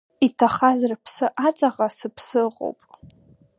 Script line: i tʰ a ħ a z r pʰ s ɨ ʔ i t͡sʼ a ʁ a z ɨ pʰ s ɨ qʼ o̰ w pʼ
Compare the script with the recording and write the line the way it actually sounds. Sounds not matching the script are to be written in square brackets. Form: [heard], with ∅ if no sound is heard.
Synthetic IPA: i tʰ a [χ] a z r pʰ s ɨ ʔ [a] t͡sʼ a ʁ a [s] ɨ pʰ s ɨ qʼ o̰ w pʼ